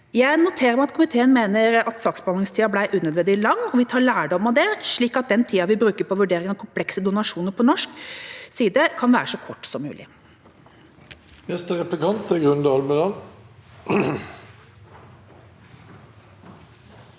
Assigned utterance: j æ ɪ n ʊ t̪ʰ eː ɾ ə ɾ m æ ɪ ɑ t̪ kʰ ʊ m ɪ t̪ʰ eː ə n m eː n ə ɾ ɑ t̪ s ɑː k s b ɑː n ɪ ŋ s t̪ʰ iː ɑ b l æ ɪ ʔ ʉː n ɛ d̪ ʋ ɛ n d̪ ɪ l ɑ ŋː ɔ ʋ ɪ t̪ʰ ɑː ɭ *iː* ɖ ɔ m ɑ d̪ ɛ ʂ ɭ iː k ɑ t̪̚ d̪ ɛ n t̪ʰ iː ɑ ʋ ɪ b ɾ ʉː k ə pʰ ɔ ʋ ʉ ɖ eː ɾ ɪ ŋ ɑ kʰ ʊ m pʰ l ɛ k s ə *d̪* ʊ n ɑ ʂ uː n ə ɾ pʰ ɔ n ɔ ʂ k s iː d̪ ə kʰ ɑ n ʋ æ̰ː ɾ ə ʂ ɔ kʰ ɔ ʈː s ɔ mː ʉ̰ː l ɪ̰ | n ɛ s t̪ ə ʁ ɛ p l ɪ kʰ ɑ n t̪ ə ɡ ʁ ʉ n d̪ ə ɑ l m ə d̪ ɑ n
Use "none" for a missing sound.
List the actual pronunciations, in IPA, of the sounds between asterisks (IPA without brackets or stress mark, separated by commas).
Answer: æː, d̪